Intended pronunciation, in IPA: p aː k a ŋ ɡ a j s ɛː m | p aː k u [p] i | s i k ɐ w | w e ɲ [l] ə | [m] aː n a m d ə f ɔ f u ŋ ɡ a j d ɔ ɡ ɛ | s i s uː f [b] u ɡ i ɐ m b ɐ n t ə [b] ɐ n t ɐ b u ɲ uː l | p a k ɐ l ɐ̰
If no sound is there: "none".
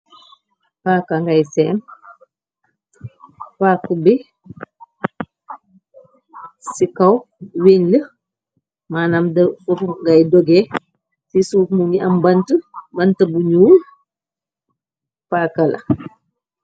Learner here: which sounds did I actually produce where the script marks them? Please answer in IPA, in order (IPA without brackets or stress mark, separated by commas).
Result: b, l, m, m, b